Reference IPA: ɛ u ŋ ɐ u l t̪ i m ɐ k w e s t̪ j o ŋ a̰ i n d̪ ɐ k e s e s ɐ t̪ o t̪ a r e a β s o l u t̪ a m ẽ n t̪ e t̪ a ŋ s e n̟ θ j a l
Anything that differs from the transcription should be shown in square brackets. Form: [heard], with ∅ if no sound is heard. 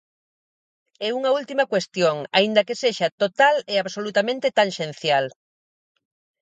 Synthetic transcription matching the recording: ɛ u ŋ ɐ u l t̪ i m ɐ k w e s t̪ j o ŋ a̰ i n d̪ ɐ k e s e [ʃ] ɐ t̪ o t̪ a [l] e a β s o l u t̪ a m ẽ n t̪ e t̪ a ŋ [ʃ] e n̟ θ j a l